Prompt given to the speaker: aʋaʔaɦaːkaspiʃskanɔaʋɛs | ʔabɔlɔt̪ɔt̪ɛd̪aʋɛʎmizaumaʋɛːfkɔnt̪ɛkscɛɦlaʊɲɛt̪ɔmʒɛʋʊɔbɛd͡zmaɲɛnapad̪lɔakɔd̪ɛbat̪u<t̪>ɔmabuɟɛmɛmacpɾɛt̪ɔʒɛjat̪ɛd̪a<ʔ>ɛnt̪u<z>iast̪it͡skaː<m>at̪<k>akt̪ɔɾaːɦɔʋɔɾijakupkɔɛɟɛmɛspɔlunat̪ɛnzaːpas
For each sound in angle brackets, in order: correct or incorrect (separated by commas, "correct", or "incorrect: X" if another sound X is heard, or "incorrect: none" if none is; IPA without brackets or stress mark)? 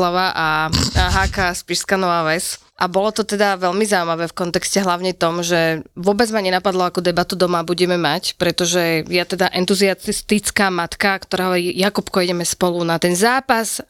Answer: incorrect: d̪, correct, correct, correct, correct